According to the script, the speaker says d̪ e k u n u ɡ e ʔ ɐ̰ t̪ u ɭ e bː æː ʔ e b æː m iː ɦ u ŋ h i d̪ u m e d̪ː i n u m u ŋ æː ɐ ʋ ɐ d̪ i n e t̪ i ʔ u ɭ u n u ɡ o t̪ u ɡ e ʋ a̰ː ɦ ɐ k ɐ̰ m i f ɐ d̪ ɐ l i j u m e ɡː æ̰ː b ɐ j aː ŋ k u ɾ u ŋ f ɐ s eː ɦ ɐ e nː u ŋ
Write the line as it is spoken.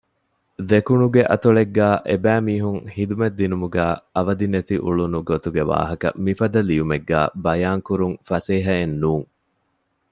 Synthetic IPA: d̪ e k u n u ɡ e ʔ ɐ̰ t̪ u ɭ e ɡː æː ʔ e b æː m iː ɦ u ŋ h i d̪ u m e d̪ː i n u m u ɡ æː ɐ ʋ ɐ d̪ i n e t̪ i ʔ u ɭ u n u ɡ o t̪ u ɡ e ʋ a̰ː ɦ ɐ k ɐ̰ m i f ɐ d̪ ɐ l i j u m e ɡː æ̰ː b ɐ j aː ŋ k u ɾ u ŋ f ɐ s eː ɦ ɐ e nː uː ŋ